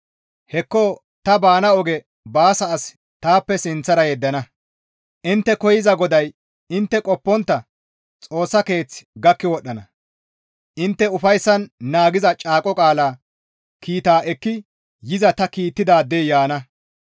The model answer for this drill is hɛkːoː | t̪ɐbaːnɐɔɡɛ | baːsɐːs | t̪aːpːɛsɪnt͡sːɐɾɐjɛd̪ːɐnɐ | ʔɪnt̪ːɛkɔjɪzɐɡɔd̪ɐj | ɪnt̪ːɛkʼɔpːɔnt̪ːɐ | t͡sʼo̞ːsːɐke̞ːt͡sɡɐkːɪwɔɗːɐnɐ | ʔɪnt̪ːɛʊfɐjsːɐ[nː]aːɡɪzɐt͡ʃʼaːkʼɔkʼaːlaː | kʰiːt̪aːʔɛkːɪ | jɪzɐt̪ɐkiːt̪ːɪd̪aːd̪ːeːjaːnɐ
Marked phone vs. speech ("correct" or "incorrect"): correct